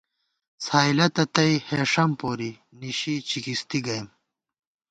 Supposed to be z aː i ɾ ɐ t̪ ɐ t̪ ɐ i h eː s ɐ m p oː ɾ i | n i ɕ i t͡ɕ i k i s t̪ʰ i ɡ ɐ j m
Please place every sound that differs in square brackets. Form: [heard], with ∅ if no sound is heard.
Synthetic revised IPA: [s] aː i [l] ɐ t̪ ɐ t̪ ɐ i h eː [ʂ] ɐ m p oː ɾ i | n i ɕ i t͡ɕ i k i s [t̪] i ɡ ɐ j m